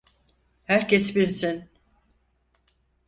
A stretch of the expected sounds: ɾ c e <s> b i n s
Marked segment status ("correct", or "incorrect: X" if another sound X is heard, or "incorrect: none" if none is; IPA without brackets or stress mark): correct